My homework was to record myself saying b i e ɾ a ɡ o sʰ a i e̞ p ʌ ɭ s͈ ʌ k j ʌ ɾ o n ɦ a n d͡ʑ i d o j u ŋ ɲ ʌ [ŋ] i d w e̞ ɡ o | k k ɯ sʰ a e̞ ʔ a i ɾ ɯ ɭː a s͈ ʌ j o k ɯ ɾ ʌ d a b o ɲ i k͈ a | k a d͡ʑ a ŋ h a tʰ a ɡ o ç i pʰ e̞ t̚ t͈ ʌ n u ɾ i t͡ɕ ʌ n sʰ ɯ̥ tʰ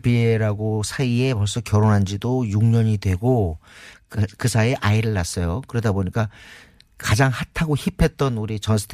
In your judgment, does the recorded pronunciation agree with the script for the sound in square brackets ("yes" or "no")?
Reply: no